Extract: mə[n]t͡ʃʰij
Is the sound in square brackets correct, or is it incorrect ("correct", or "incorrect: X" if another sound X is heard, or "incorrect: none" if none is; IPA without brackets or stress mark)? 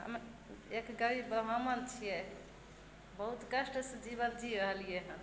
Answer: correct